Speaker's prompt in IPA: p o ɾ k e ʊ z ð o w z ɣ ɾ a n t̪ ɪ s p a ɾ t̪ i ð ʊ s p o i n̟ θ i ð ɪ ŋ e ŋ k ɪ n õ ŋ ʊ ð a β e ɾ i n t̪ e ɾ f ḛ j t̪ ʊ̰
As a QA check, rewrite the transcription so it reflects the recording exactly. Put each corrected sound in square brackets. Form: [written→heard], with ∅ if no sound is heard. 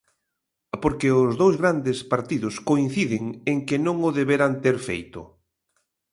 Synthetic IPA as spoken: p o ɾ k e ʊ z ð o w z ɣ ɾ a n [t̪→d̪] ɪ s p a ɾ t̪ i ð ʊ s [p→k] o i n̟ θ i ð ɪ ŋ e ŋ k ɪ n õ ŋ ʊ ð [a→e] β e ɾ [i→a] n t̪ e ɾ f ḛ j t̪ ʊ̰